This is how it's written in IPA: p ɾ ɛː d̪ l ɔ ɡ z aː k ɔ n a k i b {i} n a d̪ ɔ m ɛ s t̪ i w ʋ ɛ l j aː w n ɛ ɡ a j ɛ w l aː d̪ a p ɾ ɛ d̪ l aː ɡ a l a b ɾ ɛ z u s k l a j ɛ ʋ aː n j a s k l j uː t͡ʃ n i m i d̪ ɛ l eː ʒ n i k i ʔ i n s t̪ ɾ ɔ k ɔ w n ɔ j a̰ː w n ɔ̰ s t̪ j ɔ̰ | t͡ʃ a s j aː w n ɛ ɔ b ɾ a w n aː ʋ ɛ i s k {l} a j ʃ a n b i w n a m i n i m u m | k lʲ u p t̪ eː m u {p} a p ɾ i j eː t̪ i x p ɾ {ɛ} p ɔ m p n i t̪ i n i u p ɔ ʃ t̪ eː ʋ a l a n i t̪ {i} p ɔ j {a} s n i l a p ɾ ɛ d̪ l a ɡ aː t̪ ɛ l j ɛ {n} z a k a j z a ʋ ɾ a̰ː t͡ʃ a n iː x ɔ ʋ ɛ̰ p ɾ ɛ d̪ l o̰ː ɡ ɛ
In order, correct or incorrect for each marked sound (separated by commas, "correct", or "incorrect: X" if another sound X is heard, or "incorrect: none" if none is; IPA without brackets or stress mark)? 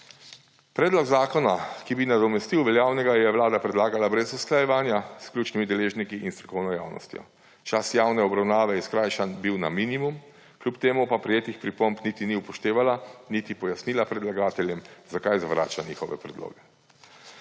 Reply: correct, incorrect: ɾ, correct, incorrect: i, correct, correct, incorrect: m